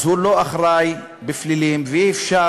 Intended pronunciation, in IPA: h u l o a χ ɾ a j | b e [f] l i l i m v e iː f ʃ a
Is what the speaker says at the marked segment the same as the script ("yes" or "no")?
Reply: yes